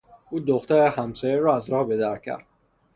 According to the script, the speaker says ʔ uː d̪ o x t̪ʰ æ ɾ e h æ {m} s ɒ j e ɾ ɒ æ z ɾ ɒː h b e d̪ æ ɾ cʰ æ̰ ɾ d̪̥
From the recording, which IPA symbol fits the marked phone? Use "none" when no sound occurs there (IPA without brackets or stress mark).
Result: m